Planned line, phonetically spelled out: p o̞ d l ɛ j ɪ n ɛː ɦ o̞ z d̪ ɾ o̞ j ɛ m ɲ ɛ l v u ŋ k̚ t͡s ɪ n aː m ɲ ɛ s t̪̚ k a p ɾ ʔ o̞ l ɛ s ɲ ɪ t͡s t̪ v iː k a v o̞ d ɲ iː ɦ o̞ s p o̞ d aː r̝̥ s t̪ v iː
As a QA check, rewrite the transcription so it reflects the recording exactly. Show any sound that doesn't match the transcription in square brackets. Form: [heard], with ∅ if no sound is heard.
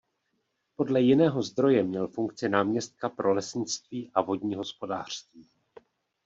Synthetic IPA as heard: p o̞ d l ɛ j ɪ n ɛː ɦ o̞ z d̪ ɾ o̞ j ɛ m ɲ ɛ l [f] u ŋ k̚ t͡s ɪ n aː m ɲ ɛ s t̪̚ k a p ɾ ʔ o̞ l ɛ s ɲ ɪ t͡s t̪ v iː [ʔ] a v o̞ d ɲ iː ɦ o̞ s p o̞ d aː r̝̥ s t̪ v iː